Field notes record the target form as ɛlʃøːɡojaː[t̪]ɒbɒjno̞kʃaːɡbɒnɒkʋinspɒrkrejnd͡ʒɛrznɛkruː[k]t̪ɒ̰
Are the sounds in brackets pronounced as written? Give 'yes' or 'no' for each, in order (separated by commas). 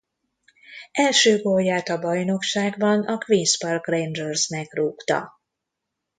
yes, yes